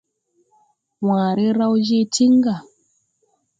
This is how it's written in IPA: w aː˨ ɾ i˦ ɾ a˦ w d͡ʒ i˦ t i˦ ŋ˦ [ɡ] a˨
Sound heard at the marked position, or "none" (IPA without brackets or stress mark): ɡ